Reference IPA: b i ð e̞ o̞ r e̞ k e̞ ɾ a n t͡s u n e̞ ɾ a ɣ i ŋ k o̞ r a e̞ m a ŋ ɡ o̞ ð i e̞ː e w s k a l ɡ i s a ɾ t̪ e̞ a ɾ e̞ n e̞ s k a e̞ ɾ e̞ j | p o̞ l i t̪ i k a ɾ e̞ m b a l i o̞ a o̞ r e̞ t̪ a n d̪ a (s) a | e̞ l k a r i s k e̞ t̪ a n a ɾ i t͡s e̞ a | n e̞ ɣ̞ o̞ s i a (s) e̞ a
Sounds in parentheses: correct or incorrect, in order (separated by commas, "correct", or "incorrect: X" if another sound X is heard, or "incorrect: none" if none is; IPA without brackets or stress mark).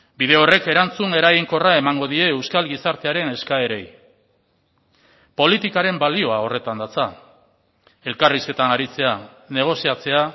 incorrect: t͡s, incorrect: t͡s